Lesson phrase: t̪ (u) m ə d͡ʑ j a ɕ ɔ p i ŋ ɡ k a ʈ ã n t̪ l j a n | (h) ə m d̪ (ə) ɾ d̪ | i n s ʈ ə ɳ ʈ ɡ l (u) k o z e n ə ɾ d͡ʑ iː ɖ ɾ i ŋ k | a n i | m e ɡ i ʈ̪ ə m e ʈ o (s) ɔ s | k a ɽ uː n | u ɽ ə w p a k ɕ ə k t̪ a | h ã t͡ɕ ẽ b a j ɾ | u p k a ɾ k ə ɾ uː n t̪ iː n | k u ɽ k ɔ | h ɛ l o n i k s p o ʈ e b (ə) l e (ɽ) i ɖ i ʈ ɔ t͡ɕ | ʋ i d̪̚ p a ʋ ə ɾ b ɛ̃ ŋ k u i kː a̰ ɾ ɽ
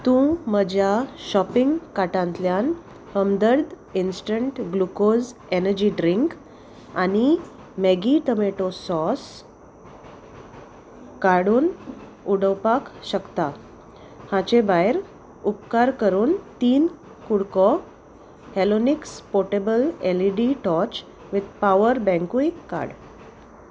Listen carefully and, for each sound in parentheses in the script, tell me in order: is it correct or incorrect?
incorrect: ũ, correct, correct, correct, correct, correct, incorrect: l

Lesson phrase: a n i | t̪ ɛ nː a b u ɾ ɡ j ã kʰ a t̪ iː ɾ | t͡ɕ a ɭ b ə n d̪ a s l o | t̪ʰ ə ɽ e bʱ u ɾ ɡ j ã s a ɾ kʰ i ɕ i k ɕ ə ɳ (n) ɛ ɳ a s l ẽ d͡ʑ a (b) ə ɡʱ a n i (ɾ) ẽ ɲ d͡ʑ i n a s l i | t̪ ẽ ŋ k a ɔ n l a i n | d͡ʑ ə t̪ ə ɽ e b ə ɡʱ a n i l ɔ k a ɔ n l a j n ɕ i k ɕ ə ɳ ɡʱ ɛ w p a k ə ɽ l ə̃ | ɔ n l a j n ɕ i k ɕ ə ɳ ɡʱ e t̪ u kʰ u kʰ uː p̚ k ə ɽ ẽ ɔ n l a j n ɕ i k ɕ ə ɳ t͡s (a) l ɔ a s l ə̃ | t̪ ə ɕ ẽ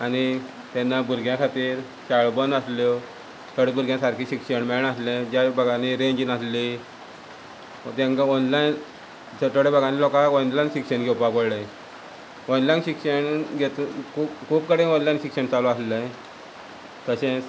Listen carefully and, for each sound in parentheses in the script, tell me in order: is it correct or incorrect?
incorrect: m, correct, correct, correct

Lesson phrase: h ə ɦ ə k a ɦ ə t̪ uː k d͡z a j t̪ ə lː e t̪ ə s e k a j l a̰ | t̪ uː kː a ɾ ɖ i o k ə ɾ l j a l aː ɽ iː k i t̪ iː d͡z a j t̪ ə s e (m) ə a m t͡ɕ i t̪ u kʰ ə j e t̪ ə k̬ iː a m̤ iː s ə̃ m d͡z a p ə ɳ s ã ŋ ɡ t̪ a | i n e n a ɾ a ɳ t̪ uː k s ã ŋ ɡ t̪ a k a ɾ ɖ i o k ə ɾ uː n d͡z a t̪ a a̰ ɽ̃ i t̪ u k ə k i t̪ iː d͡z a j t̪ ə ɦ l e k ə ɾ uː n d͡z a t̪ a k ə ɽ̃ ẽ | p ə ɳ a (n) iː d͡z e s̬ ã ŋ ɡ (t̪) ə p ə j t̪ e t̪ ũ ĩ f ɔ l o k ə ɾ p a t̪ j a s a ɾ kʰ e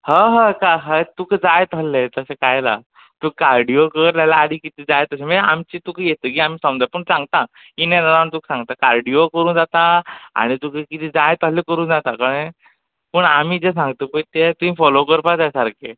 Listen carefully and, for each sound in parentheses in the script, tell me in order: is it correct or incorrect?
correct, incorrect: m, correct

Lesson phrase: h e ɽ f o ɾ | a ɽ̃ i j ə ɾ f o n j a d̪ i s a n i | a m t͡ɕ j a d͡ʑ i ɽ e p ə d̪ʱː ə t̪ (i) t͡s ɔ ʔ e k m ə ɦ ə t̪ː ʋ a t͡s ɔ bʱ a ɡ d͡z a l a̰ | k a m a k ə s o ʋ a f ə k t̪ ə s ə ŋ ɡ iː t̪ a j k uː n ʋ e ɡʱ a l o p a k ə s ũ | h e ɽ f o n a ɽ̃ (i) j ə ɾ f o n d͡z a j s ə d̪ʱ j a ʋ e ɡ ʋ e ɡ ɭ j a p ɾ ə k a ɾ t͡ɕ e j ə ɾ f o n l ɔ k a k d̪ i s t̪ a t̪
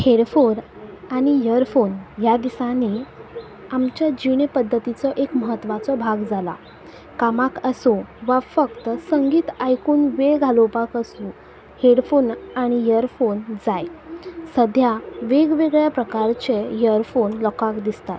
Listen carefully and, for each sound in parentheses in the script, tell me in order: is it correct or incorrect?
correct, correct

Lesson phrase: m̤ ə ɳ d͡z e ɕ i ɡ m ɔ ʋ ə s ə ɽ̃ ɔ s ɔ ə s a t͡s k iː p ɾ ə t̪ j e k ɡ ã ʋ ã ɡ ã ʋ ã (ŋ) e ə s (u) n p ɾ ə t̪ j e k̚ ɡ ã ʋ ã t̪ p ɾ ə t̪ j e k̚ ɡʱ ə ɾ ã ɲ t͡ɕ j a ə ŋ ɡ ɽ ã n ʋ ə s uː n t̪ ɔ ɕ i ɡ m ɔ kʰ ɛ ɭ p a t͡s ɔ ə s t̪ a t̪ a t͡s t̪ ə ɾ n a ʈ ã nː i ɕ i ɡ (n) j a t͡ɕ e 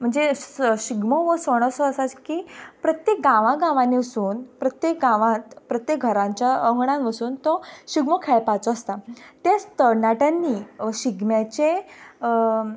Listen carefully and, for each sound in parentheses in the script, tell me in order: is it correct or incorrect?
incorrect: n, incorrect: uː, incorrect: m

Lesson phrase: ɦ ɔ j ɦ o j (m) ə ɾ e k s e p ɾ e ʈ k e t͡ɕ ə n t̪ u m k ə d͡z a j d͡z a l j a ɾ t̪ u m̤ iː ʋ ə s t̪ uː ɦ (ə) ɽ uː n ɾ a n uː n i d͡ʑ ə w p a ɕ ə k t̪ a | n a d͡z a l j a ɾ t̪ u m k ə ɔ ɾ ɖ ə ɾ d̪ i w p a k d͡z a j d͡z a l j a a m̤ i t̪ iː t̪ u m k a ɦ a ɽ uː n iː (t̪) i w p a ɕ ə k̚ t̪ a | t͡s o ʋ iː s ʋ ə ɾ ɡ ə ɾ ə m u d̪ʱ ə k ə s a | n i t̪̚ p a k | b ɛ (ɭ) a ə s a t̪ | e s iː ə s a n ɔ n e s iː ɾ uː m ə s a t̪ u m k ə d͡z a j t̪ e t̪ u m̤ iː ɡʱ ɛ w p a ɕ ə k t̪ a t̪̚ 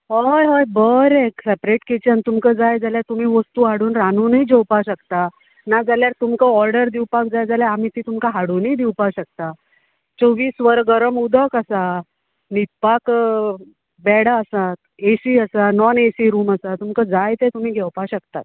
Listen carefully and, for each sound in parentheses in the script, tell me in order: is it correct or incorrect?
incorrect: b, incorrect: a, incorrect: d̪, incorrect: ɽ

